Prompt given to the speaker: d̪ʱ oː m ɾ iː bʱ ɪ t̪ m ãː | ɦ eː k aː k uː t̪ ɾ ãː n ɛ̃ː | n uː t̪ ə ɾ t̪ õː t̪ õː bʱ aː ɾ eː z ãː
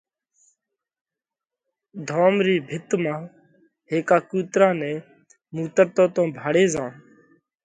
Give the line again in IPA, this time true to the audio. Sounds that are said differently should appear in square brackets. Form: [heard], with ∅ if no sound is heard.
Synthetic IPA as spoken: d̪ʱ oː m ɾ iː bʱ ɪ t̪ m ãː | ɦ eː k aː k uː t̪ ɾ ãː n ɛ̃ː | [m] uː t̪ ə ɾ t̪ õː t̪ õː bʱ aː [ɽ] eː z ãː